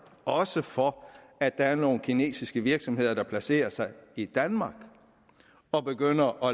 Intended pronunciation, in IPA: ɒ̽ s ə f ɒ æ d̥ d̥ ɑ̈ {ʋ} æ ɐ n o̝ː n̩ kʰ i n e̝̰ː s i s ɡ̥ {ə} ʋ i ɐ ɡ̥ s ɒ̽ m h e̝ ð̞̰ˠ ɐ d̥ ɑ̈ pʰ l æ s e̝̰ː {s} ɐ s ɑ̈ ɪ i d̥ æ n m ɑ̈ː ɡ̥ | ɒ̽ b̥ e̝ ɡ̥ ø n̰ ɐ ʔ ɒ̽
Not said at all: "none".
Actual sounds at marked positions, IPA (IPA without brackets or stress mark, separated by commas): none, ə, none